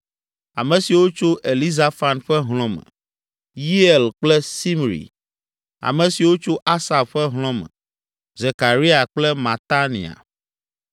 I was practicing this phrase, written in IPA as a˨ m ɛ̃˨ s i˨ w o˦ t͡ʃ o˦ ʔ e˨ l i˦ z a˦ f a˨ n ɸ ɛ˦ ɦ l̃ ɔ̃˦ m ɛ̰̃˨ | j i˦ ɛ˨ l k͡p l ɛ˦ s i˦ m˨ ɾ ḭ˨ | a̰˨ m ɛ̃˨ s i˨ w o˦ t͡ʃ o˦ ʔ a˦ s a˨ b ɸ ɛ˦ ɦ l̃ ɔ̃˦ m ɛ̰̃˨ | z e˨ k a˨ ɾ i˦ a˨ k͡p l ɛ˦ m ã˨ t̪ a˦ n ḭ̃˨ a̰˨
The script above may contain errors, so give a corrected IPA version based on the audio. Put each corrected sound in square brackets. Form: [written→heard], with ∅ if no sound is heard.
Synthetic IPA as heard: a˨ m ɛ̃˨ s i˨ w o˦ t͡ʃ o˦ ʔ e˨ l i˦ z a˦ f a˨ n ɸ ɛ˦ ɦ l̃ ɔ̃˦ m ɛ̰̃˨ | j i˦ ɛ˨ l k͡p l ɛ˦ s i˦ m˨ ɾ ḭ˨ | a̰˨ m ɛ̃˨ s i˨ w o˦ t͡ʃ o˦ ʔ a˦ s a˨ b ɸ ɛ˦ ɦ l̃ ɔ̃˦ m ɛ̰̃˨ | z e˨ k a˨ ɾ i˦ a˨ k͡p l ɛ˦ m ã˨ t̪ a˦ n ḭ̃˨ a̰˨

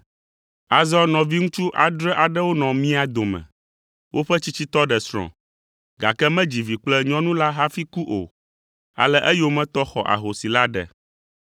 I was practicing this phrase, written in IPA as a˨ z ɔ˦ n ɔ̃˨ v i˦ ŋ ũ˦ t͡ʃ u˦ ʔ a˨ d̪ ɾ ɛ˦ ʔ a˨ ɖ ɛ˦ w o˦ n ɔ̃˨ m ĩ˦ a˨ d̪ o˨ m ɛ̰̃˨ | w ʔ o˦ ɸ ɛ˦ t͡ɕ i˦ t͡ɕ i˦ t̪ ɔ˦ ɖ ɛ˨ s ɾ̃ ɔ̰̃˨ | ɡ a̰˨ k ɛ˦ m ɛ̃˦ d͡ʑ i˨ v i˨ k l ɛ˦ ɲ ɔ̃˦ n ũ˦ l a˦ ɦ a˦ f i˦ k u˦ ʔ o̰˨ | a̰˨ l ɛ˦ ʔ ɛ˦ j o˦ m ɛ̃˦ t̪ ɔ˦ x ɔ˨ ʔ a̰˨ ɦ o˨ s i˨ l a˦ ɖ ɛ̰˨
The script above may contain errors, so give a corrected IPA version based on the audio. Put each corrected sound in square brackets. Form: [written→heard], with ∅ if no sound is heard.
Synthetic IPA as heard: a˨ z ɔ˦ n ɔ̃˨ v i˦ ŋ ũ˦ t͡ʃ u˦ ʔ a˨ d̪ ɾ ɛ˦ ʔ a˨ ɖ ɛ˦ w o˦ n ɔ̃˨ m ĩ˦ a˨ d̪ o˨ m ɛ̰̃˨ | w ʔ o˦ ɸ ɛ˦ t͡ɕ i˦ t͡ɕ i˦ t̪ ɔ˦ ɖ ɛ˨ s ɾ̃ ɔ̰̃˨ | ɡ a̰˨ k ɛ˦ m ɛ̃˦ d͡ʑ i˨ v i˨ [k→k͡p] l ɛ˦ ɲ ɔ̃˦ n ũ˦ l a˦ ɦ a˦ f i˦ k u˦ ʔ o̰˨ | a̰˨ l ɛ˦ ʔ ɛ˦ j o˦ m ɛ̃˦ t̪ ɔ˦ x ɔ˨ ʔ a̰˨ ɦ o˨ s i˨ l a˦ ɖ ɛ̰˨

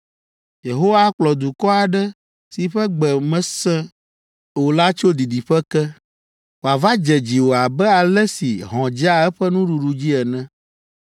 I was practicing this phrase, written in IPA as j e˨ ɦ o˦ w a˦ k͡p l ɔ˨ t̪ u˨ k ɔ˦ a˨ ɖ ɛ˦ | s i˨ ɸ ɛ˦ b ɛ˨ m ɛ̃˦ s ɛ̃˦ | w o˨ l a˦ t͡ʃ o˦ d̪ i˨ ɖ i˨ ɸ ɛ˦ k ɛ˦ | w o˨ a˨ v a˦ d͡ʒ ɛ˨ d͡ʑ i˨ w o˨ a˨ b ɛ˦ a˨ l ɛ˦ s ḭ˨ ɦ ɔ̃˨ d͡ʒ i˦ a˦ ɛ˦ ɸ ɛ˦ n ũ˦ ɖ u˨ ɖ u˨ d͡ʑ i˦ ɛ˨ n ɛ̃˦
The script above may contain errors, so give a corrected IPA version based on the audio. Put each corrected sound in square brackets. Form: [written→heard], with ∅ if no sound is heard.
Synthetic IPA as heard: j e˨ ɦ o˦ w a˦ k͡p l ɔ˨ [t̪→d̪] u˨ k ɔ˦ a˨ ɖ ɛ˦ | s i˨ ɸ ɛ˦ [b→ɡ͡b] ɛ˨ m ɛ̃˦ s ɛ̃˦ | w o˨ l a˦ t͡ʃ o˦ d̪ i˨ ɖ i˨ ɸ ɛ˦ k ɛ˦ | w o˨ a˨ v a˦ d͡ʒ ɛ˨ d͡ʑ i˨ w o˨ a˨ b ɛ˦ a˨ l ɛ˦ s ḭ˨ ɦ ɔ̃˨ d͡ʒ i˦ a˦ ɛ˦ ɸ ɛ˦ n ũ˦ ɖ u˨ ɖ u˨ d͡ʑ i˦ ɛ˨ n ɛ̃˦

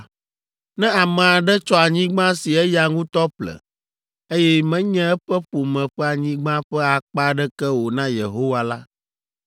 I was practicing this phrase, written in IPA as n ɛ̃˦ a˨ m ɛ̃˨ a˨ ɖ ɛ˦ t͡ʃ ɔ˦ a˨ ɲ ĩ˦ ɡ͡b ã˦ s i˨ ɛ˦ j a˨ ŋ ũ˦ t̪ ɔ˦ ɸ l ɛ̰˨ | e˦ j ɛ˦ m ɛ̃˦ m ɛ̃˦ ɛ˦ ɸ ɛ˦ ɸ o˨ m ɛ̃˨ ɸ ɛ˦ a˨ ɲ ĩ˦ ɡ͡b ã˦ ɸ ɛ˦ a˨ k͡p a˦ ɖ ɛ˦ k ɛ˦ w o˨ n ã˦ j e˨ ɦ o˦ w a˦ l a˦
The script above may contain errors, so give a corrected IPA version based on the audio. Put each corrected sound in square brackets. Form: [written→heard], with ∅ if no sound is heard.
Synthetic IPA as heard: n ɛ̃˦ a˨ m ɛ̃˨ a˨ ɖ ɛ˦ t͡ʃ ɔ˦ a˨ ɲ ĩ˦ ɡ͡b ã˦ s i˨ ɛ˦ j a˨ ŋ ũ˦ t̪ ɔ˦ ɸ l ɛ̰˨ | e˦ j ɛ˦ m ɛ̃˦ [m→ɲ] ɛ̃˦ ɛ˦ ɸ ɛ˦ ɸ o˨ m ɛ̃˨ ɸ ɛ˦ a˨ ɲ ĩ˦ ɡ͡b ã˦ ɸ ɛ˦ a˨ k͡p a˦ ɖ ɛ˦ k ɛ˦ w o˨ n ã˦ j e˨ ɦ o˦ w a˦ l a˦

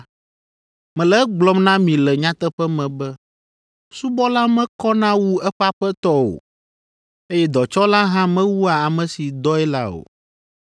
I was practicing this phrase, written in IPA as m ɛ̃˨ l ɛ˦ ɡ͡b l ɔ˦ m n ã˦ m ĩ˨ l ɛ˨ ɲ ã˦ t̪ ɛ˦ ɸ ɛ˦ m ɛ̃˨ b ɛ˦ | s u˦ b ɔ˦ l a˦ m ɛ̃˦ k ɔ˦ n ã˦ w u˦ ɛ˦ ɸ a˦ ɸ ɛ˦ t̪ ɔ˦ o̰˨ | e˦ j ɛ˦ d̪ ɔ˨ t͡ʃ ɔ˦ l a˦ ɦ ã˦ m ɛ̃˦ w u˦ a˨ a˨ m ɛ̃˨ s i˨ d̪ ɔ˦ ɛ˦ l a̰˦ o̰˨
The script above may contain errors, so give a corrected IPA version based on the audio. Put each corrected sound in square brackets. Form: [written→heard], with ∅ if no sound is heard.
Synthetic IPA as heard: m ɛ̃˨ l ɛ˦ ɡ͡b l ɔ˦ m n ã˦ m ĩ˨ l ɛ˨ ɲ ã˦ t̪ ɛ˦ ɸ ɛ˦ m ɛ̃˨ b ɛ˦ | s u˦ b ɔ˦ l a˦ m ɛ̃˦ k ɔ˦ n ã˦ w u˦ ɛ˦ ɸ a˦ ɸ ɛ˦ t̪ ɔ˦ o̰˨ | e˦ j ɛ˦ d̪ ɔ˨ t͡ʃ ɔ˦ l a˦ ɦ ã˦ m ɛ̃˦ w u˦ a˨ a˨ m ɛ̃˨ s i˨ d̪ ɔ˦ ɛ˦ l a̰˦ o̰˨

